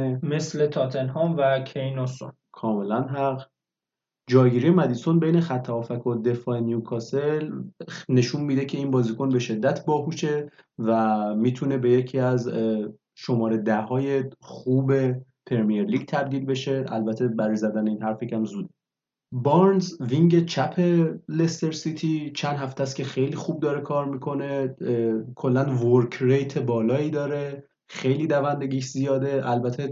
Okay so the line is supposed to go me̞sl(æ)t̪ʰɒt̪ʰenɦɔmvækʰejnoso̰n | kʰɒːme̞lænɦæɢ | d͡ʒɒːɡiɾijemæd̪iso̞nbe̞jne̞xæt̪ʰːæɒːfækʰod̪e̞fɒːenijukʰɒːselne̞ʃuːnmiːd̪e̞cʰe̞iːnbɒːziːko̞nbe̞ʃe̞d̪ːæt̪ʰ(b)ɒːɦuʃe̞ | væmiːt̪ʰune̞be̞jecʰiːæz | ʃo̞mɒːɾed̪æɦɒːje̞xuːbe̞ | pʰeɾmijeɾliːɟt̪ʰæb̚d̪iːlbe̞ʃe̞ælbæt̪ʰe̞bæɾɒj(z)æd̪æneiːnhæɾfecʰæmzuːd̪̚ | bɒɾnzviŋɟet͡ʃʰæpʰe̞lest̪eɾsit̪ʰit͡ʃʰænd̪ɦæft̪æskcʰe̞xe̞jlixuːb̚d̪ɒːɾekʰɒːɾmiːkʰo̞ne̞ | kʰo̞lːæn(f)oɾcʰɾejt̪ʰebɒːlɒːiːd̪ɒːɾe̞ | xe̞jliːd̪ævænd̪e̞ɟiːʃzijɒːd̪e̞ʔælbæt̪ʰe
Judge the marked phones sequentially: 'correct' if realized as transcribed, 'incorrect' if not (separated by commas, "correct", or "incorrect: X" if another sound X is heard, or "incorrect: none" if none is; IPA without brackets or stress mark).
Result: incorrect: e, correct, correct, incorrect: v